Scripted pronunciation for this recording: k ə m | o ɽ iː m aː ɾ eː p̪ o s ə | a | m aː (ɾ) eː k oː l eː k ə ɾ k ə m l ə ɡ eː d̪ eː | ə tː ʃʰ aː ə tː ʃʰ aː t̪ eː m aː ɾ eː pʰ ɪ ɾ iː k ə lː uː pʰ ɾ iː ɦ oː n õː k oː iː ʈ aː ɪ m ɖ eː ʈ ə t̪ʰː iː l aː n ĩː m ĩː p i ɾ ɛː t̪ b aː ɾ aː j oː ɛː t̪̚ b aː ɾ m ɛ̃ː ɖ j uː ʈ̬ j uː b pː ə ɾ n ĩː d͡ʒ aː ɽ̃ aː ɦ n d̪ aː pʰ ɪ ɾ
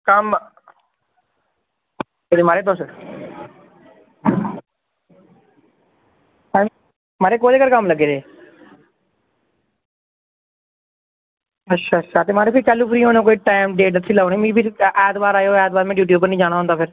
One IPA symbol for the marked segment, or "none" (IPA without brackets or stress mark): ɾ